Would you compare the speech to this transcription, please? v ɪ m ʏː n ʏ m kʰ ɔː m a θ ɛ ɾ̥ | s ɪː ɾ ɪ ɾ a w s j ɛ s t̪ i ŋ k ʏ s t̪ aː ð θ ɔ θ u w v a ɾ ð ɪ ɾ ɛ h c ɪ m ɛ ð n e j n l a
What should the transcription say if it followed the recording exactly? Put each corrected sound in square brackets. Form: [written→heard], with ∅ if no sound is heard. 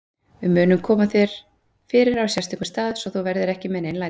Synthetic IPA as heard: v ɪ m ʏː n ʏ m kʰ ɔː m a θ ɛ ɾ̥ | [s→f] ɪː ɾ ɪ ɾ a w s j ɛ s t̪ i ŋ k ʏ s t̪ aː ð [θ→s] ɔ θ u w v [a→ɛ] ɾ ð ɪ ɾ ɛ h c ɪ m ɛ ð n e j n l a